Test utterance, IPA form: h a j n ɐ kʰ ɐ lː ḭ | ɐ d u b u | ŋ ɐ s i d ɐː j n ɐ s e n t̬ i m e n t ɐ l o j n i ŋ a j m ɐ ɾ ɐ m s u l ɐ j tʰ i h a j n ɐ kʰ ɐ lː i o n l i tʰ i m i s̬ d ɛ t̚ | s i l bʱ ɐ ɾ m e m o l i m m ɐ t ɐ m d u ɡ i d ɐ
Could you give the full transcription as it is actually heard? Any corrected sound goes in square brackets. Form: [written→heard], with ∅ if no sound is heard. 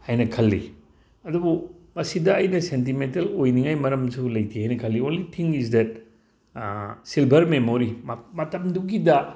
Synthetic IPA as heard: h a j n ɐ kʰ ɐ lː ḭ | ɐ d u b u | [ŋ→m] ɐ s i d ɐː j n ɐ s e n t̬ i m e n t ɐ l o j n i ŋ a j m ɐ ɾ ɐ m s u l ɐ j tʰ i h a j n ɐ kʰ ɐ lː i o n l i tʰ i [m→ŋ] i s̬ d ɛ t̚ | s i l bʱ ɐ ɾ m e m o [l→ɾ] i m m ɐ t ɐ m d u ɡ i d ɐ

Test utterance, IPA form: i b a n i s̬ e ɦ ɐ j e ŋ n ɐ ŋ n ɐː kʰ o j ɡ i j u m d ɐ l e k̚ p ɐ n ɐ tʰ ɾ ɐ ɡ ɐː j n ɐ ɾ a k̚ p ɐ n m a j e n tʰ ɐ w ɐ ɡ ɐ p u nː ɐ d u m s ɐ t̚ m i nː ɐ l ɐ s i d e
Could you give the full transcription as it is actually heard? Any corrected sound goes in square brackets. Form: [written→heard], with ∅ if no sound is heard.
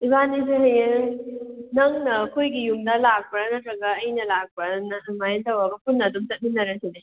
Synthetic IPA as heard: i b a n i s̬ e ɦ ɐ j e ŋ n ɐ ŋ n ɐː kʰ o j ɡ i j u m d ɐ l [e→a] k̚ p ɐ n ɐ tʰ ɾ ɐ ɡ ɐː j n ɐ [ɾ→l] a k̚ p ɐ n m a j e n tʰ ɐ w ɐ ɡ ɐ p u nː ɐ d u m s ɐ t̚ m i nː ɐ [l→ɾ] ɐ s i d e

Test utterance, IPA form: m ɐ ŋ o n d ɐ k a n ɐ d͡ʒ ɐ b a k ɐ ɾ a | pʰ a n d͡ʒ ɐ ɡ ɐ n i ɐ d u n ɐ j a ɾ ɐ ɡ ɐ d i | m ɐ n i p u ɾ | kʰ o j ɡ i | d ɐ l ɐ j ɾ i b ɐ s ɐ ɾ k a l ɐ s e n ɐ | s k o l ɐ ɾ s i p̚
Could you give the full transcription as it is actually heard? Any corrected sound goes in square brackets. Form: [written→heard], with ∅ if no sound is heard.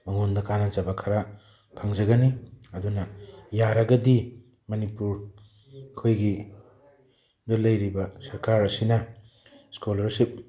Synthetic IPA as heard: m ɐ ŋ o n d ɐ k a n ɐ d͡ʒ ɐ b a [k→kʰ] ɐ ɾ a | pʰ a [n→ŋ] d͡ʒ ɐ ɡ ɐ n i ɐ d u n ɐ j a ɾ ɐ ɡ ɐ d i | m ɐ n i p u ɾ | kʰ o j ɡ i | d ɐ l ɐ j ɾ i b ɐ s ɐ ɾ k a [l→ɾ] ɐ s [e→i] n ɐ | s k o l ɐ ɾ s i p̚

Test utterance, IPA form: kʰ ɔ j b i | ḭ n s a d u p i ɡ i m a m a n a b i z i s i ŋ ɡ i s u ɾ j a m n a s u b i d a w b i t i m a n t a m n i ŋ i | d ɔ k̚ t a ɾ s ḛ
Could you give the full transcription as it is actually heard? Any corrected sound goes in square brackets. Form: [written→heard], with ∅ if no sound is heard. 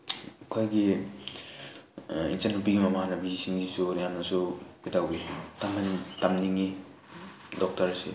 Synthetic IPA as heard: kʰ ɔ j [b→ɡ] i | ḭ n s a [d→n] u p i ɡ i m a m a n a b i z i s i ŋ ɡ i s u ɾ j a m n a s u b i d a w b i t [i→a] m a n t a m n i ŋ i | d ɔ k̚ t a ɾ s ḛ

